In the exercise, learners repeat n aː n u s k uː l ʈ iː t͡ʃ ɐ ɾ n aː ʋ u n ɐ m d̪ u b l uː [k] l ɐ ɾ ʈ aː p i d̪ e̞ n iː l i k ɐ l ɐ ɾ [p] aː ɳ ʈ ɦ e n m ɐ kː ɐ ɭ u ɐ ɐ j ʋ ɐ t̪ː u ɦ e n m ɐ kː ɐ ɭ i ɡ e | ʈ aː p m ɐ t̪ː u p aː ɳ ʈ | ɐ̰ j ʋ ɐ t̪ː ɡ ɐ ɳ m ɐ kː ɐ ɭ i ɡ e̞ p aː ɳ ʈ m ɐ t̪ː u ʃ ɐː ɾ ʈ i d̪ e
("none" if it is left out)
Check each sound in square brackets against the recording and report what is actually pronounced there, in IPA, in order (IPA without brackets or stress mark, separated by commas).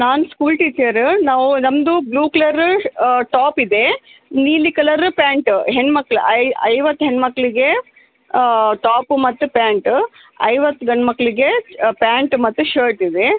k, p